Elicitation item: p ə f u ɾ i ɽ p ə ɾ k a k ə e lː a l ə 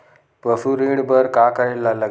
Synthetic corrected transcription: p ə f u ɾ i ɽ b ə ɾ k a k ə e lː a l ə